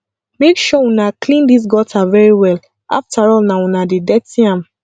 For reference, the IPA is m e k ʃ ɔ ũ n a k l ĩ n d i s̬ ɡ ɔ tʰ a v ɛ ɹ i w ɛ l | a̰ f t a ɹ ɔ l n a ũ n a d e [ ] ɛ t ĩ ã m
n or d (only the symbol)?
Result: d